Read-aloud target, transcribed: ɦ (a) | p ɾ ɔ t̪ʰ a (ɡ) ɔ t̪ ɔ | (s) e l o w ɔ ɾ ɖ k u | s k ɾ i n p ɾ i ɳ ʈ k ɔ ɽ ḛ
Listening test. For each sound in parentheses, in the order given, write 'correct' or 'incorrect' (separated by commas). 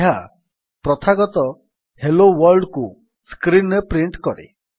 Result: correct, correct, incorrect